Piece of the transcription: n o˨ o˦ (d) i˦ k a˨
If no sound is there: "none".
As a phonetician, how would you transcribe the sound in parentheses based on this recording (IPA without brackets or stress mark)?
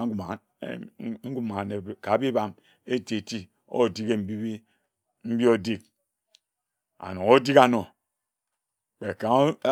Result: d